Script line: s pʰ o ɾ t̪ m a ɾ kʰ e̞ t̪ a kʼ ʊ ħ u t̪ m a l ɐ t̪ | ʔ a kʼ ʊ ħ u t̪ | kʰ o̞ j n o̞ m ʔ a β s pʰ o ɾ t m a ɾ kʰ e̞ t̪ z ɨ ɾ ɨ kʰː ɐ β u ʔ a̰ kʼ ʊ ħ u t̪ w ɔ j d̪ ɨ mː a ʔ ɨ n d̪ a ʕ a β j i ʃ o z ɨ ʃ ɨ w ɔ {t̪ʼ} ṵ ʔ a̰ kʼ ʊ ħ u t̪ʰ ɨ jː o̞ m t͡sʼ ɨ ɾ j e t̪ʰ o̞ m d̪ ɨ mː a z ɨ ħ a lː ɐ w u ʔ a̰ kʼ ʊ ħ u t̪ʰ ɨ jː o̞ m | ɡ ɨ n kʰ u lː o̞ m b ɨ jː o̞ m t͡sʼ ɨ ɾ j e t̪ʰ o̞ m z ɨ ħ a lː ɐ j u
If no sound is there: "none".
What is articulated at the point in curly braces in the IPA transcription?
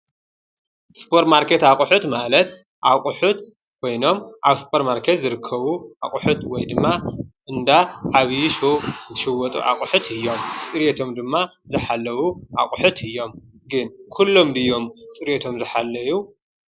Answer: t̪ʼ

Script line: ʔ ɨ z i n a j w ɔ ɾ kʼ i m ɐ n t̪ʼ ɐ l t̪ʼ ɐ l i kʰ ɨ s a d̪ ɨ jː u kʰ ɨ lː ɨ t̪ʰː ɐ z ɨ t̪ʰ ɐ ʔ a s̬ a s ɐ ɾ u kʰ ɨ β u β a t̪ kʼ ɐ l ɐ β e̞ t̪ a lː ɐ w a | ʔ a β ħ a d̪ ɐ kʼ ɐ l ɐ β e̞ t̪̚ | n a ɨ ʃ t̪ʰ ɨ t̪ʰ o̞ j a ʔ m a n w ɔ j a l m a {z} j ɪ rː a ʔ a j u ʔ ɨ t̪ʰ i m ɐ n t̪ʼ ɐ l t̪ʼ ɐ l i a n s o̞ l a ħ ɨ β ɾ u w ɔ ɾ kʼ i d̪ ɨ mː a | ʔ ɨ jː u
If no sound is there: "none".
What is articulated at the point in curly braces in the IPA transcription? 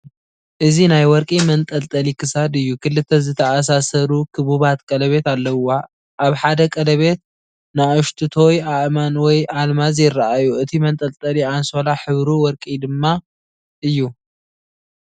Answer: z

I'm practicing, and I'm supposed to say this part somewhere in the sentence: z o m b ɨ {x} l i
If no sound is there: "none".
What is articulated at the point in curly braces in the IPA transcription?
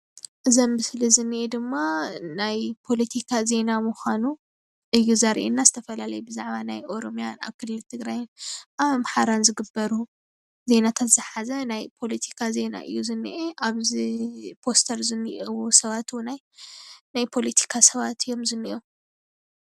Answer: s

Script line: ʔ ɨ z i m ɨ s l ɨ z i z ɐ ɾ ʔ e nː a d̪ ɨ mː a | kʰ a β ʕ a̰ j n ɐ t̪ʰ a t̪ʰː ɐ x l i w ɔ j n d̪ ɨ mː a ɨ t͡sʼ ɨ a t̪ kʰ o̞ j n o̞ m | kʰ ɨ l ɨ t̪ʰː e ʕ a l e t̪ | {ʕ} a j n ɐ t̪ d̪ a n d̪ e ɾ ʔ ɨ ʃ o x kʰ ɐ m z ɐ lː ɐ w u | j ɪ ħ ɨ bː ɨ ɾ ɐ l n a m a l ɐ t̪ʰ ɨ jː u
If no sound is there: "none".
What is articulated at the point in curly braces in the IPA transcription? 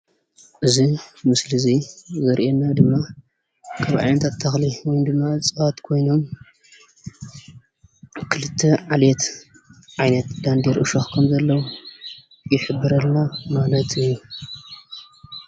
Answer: ʕ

